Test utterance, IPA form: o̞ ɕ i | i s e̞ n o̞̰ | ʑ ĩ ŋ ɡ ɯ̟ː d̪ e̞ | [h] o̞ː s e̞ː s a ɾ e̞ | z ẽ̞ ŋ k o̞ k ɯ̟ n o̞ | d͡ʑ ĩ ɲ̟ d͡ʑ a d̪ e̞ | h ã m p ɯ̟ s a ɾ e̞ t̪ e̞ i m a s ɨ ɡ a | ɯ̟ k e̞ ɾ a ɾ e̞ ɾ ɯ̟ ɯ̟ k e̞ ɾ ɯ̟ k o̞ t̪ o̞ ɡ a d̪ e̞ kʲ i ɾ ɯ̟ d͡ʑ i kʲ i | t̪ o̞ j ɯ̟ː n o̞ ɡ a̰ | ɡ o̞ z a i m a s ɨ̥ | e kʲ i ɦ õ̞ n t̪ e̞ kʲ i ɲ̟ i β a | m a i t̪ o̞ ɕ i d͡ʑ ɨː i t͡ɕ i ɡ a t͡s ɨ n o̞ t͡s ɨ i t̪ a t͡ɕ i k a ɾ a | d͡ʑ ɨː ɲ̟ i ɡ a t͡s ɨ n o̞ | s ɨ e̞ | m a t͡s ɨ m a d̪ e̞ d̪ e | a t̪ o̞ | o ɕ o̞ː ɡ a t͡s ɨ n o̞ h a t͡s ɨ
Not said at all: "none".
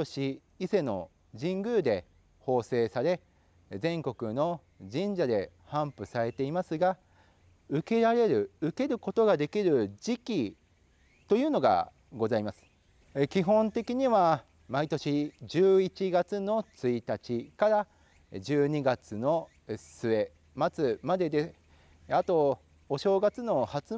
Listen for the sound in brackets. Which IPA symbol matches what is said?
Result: h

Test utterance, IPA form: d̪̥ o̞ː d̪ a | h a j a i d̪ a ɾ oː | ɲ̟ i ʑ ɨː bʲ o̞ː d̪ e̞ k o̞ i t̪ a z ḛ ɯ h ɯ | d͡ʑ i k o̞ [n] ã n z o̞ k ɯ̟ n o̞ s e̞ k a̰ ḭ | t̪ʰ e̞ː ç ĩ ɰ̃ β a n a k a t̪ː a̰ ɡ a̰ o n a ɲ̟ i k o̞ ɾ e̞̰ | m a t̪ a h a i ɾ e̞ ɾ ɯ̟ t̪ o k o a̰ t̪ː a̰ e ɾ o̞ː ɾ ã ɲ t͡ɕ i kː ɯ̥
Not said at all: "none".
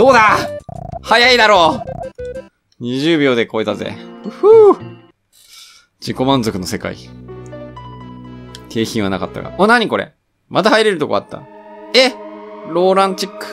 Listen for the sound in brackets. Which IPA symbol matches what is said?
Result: m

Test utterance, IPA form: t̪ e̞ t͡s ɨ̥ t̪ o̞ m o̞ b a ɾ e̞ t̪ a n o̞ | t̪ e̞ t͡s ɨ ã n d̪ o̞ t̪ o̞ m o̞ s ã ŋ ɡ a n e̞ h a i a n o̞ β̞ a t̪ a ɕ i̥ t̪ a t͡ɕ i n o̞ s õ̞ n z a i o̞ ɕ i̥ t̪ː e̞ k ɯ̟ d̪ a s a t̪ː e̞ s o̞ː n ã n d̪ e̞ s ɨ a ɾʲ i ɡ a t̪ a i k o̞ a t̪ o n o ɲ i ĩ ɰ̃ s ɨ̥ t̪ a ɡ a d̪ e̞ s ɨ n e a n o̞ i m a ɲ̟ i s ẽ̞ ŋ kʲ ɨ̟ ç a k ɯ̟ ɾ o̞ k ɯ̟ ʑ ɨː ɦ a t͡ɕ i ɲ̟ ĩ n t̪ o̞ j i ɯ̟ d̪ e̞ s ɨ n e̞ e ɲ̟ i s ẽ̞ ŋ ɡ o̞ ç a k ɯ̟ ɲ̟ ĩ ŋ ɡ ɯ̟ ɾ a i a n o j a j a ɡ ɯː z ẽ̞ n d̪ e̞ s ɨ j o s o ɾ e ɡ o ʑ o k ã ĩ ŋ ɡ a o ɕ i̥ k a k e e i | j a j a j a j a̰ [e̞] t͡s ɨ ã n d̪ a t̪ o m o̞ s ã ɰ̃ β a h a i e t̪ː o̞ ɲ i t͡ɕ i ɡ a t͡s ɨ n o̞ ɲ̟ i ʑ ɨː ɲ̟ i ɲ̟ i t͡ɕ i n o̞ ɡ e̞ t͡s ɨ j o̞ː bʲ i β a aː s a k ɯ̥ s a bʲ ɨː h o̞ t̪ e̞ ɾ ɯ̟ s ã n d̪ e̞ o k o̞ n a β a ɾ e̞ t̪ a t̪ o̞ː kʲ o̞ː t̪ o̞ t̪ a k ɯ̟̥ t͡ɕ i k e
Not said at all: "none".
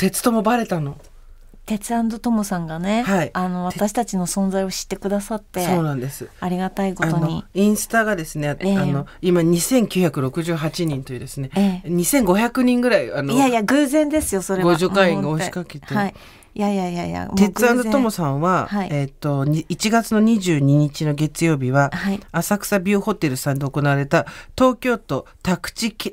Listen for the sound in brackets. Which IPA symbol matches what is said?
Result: e̞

